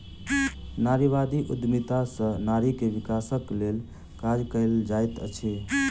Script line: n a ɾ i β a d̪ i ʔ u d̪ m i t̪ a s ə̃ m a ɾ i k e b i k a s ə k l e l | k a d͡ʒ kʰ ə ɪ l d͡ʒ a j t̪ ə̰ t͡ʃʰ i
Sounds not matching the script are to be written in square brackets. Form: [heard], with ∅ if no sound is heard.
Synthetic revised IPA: n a ɾ i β a d̪ i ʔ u d̪ m i t̪ a s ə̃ [n] a ɾ i k e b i k a s ə k l e l | k a d͡ʒ [k] ə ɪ l d͡ʒ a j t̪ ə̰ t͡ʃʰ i